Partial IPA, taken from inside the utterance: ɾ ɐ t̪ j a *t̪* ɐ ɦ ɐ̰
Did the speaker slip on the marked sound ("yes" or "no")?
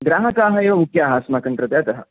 no